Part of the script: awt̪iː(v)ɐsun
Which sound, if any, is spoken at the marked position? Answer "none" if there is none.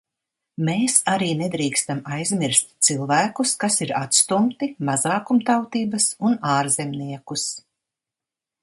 b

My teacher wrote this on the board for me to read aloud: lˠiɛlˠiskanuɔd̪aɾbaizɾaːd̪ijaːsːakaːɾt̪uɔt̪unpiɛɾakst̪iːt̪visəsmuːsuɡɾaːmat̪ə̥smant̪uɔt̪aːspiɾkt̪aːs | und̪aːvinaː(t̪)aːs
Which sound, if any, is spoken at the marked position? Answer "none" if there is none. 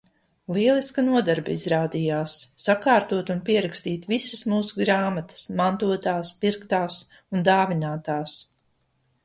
t̪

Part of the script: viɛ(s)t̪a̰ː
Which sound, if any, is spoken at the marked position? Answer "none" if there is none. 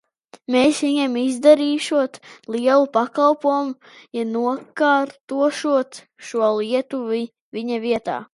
none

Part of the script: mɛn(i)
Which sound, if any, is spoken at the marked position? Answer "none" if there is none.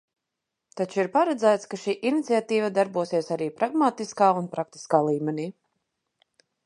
iː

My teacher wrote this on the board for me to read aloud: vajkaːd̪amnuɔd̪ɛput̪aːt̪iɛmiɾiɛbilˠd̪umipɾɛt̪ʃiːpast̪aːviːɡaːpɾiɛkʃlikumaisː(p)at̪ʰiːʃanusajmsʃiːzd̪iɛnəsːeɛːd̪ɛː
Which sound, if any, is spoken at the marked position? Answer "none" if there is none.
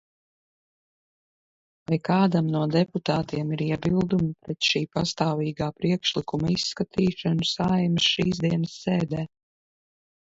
k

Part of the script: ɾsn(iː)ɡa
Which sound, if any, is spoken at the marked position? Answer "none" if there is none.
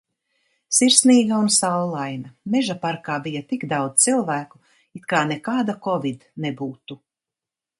iː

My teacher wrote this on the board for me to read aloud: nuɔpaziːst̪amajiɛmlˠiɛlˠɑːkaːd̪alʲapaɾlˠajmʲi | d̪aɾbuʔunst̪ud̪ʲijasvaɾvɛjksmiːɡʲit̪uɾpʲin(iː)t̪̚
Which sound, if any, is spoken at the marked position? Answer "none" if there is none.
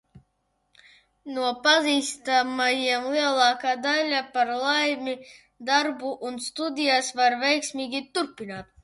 aː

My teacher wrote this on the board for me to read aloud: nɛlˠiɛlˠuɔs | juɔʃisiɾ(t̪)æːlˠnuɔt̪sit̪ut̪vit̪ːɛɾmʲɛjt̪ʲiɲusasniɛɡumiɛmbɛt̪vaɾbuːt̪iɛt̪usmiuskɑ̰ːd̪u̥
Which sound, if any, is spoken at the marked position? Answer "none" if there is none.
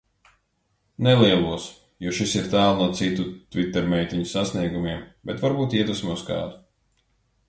t̪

